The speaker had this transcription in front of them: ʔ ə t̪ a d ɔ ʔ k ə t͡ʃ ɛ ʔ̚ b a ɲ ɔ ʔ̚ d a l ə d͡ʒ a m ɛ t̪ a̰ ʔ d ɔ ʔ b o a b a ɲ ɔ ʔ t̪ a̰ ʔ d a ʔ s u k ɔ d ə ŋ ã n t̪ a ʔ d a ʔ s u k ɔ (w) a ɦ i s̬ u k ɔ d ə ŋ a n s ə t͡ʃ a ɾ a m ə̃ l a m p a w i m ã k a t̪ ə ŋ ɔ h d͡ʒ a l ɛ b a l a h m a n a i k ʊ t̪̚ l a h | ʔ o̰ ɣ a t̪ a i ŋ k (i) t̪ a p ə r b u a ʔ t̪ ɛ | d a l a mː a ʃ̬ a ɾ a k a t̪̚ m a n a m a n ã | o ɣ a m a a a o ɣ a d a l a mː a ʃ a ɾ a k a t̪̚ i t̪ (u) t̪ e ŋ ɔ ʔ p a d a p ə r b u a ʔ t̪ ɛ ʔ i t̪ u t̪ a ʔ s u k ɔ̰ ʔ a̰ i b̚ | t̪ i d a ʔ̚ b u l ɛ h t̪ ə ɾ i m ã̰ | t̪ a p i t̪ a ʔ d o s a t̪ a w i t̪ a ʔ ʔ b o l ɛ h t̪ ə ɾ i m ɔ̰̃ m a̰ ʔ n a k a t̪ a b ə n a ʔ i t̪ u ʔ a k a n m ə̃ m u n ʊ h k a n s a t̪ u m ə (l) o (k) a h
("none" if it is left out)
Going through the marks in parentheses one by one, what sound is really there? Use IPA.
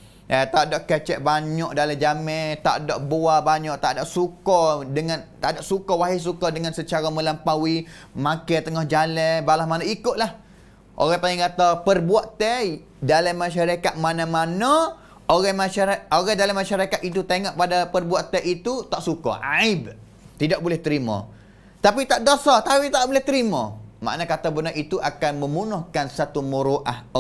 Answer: w, a, u, ɾ, ʔ

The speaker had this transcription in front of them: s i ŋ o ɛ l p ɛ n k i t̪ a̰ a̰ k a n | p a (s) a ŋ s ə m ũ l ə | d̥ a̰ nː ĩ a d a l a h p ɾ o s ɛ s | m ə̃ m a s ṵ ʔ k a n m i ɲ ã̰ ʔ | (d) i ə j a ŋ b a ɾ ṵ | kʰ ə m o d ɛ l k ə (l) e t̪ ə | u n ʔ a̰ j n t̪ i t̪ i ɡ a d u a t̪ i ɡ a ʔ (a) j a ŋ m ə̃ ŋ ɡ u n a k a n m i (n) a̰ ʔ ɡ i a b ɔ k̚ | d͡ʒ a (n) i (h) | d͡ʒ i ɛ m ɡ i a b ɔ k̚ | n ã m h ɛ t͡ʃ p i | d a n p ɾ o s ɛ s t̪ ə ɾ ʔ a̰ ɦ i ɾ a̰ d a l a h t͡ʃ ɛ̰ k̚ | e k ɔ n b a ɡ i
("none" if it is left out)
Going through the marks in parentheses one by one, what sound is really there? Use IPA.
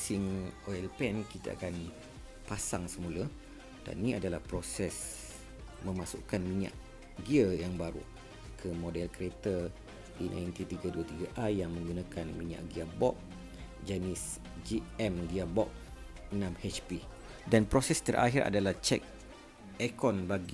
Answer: s, ɡ, ɾ, a, ɲ, n, s

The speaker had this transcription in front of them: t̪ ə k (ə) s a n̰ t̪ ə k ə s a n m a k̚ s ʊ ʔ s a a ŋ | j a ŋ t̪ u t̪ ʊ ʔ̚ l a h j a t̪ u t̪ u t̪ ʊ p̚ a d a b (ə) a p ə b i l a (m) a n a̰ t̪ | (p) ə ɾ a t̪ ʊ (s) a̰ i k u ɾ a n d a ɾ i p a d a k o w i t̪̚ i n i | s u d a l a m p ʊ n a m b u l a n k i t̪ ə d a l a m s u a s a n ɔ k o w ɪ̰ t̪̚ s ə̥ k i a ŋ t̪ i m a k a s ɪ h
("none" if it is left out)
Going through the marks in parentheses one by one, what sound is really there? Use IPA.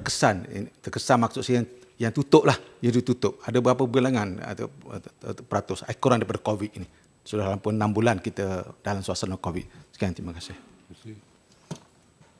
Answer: ə, ə, ŋ, p, s

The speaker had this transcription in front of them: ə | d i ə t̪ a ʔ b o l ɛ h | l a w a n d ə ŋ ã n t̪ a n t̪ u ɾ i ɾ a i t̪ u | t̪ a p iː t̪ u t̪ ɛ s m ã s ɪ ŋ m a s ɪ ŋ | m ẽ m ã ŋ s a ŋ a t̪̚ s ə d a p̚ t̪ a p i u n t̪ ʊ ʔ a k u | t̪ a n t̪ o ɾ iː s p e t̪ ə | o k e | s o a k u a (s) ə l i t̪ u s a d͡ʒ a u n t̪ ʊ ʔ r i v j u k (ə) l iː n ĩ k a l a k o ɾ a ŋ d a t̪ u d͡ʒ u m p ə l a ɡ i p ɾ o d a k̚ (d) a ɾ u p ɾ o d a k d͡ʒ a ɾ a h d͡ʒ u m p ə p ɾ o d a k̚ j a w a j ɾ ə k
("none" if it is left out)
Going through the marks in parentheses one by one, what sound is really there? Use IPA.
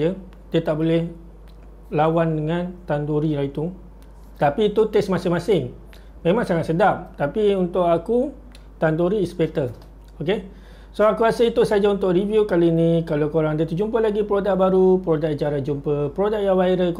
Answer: s, a, b

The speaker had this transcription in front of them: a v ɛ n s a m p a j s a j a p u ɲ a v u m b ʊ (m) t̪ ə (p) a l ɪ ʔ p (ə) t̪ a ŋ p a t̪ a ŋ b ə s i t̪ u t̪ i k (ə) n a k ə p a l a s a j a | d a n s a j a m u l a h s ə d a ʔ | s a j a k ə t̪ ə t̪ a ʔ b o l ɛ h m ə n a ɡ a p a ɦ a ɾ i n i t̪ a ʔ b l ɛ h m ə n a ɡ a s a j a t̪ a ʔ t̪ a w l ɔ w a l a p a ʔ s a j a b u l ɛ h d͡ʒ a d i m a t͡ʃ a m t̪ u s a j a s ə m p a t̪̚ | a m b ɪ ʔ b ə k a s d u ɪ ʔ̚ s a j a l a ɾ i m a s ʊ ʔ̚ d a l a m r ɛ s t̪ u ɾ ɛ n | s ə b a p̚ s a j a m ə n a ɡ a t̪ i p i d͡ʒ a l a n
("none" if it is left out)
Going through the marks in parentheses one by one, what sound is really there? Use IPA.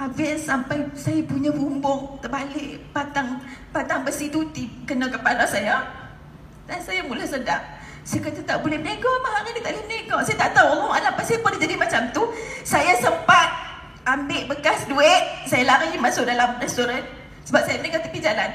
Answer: ŋ, b, a, ə

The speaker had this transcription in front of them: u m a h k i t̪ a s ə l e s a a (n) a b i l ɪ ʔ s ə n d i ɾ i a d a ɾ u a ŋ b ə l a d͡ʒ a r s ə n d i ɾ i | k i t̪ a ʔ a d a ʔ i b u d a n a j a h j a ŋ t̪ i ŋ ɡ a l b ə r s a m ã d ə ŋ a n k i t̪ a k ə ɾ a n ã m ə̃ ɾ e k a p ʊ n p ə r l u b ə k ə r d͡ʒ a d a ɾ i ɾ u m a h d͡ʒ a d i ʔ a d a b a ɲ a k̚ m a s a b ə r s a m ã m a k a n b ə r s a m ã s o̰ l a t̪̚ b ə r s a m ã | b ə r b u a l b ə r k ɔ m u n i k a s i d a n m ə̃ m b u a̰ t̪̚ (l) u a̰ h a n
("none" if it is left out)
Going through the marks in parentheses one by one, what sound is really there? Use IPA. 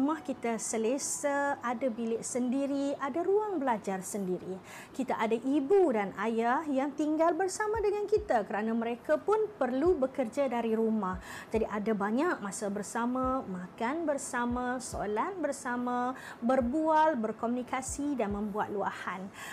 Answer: d, l

